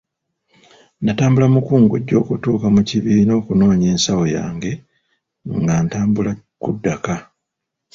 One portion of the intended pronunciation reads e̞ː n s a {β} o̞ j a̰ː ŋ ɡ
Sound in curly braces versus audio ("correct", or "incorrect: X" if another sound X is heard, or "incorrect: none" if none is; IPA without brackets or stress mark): incorrect: w